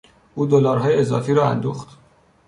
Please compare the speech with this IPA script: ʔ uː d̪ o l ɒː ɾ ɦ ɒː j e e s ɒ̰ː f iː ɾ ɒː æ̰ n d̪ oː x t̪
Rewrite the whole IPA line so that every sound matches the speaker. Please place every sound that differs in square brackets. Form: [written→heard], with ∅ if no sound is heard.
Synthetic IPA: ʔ uː d̪ o l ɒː ɾ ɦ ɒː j e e [s→z] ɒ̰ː f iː ɾ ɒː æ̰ n d̪ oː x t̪